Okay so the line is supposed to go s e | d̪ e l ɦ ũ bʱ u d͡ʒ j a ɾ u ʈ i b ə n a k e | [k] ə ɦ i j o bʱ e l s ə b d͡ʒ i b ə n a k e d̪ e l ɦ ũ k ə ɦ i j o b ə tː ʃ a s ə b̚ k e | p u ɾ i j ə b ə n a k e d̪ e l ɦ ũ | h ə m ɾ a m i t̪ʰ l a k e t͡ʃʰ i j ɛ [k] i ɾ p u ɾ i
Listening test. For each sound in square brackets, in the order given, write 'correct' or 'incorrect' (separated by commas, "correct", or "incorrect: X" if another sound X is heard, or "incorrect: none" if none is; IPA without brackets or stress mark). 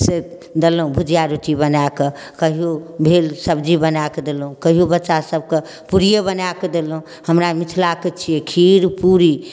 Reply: correct, incorrect: kʰ